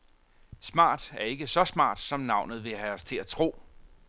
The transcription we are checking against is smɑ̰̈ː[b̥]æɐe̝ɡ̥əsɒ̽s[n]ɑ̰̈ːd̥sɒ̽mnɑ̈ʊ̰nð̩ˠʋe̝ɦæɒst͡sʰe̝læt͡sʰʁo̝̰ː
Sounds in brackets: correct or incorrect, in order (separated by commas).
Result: incorrect, incorrect